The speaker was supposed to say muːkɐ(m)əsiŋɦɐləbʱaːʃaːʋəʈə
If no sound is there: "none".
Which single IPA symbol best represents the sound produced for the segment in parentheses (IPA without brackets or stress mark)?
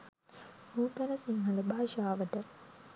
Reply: n